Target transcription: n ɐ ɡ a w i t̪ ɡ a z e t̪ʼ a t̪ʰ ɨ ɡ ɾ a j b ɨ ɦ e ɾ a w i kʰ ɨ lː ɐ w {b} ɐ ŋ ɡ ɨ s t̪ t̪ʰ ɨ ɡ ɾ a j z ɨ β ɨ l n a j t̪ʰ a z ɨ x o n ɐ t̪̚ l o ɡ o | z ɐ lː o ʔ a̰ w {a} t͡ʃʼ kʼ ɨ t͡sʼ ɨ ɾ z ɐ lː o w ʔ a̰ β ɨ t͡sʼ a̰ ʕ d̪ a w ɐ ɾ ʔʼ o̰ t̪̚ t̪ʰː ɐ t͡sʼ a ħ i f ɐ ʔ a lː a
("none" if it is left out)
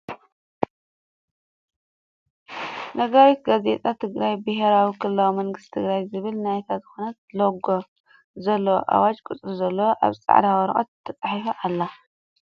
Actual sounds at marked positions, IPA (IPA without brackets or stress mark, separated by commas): m, a